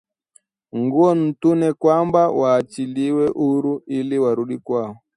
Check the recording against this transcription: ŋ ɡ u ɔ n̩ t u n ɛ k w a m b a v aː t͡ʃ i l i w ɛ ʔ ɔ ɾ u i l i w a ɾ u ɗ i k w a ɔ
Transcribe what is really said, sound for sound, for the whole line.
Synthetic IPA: ŋ ɡ u ɔ n̩ t u n ɛ k w a m b a w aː t͡ʃ i l i w ɛ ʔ u ɾ u i l i w a ɾ u ɗ i k w a ɔ